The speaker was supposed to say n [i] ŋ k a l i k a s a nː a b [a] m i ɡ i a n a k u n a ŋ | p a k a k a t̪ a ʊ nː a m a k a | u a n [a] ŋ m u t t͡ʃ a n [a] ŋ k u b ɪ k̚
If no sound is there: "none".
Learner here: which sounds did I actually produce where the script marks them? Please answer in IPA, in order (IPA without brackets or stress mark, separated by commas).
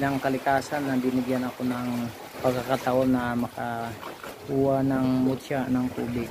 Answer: a, i, a, a